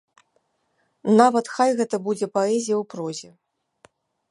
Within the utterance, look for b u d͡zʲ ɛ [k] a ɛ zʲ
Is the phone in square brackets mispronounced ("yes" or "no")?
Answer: yes